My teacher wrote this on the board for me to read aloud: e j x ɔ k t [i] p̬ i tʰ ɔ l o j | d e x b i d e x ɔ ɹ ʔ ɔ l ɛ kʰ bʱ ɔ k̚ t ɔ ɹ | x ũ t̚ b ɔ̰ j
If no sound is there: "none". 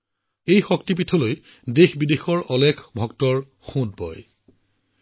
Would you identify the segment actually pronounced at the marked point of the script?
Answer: i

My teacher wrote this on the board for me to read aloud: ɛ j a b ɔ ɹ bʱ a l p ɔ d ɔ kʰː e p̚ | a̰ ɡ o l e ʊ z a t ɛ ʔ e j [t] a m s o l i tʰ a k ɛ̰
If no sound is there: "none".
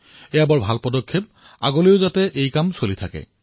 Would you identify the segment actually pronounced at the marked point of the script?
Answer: k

